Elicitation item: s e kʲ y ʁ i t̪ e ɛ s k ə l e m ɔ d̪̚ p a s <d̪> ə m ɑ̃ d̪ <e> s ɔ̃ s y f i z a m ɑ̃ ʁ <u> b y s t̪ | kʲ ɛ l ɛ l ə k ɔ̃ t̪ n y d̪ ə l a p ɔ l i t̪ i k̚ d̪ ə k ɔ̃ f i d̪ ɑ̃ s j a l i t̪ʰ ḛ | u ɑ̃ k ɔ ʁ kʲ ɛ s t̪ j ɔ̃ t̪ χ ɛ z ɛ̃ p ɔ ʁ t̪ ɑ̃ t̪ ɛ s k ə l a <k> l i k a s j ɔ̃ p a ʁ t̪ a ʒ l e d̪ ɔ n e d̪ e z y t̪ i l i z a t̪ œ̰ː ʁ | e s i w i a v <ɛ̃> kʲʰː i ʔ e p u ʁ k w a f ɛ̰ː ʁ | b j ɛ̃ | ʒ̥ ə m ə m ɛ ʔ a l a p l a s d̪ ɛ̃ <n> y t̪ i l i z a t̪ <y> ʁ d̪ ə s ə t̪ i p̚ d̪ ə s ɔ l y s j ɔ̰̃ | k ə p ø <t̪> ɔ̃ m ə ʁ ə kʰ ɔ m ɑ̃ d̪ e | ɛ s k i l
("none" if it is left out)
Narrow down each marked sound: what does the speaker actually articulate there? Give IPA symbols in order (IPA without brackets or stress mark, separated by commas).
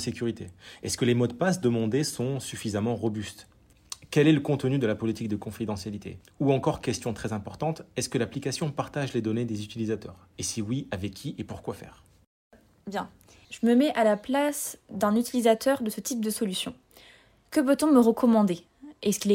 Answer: d̪, e, ɔ, p, ɛ, n, œ, t̪